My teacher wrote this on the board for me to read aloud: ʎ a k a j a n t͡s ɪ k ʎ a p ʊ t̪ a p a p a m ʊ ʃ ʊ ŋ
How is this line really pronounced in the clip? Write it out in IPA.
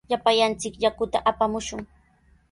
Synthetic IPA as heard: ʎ a p a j a n t͡s ɪ k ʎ a k ʊ t̪ a ʔ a p a m ʊ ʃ ʊ ŋ